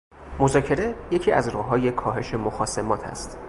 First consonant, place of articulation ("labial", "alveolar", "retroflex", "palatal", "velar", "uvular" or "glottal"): labial